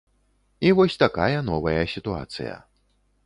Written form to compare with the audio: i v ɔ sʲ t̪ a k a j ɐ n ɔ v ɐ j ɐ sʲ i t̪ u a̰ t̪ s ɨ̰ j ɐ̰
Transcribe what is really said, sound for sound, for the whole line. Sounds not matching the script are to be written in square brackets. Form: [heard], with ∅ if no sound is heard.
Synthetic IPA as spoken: i v ɔ sʲ t̪ a k a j ɐ n ɔ v ɐ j ɐ sʲ i t̪ u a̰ t̪ s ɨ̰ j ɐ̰